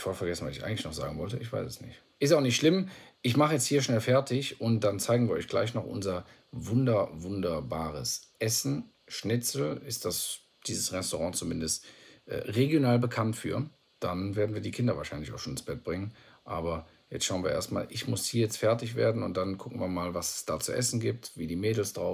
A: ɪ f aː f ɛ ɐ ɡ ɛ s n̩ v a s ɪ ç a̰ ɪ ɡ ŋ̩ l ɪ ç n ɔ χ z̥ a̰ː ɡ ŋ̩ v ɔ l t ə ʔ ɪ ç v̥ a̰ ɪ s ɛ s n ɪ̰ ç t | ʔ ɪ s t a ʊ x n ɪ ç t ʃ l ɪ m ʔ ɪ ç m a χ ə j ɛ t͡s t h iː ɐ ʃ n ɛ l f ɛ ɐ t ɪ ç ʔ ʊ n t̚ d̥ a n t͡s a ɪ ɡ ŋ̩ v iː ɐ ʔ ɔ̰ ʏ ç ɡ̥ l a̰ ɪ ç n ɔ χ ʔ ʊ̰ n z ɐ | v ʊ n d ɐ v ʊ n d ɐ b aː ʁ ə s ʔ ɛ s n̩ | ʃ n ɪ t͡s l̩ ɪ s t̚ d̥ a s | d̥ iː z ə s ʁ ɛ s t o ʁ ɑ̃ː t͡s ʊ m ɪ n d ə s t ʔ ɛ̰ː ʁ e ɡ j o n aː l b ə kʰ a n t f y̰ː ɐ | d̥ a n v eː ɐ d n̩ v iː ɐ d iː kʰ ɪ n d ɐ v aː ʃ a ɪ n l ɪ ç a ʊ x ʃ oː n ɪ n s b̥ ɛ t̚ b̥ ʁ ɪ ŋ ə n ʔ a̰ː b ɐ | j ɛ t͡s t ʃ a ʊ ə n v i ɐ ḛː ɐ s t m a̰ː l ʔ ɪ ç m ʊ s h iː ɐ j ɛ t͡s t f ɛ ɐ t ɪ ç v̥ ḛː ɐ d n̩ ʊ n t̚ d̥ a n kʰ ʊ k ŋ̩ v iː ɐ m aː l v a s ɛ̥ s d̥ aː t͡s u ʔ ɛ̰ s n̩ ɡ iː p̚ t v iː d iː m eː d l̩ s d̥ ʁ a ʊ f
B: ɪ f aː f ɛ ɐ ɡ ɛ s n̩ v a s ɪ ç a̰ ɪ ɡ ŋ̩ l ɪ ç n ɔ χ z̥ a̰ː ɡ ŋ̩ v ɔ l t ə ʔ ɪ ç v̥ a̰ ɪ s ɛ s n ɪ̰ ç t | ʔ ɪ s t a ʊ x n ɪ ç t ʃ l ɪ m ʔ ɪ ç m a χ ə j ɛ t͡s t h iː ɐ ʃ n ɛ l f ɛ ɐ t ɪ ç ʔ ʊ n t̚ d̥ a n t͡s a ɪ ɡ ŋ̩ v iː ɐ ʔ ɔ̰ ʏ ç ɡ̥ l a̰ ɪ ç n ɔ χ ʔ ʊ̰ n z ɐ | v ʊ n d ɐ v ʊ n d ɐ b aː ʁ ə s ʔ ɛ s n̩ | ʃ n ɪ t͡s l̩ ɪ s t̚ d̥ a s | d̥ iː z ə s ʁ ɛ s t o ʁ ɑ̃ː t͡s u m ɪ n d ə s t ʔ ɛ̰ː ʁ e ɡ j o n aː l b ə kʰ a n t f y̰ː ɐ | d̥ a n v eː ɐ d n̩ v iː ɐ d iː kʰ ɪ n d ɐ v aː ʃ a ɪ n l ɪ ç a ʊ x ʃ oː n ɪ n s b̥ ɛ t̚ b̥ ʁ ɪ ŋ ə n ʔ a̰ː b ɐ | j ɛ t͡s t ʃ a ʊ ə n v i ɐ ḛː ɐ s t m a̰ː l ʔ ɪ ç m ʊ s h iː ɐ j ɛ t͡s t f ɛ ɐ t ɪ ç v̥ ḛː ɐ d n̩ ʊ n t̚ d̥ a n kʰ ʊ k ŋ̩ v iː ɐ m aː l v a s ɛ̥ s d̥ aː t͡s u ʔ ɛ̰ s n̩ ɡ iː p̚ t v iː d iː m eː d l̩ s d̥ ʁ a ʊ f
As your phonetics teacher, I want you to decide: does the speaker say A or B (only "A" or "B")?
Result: B